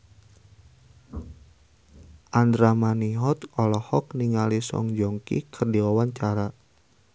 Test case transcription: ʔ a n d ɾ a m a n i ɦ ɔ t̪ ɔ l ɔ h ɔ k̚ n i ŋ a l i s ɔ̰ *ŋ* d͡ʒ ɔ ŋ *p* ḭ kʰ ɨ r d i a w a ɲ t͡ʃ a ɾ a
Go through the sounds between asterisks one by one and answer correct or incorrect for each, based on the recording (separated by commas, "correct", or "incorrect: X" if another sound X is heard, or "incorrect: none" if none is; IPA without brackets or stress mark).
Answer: correct, incorrect: k